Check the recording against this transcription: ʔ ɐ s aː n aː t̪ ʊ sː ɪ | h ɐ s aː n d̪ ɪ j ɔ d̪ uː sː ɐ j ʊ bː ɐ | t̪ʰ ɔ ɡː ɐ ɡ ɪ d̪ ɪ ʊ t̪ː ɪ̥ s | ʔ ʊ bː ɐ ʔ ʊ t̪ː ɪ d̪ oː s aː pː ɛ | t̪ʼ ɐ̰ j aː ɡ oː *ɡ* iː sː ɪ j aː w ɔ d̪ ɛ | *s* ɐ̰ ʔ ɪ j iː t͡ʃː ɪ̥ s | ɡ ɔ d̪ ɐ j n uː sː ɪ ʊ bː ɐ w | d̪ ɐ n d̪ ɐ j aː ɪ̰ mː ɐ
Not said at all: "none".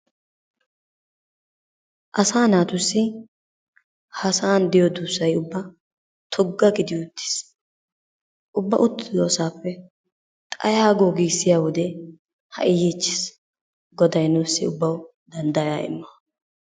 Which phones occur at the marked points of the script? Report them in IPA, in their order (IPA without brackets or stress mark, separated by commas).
ɡ, h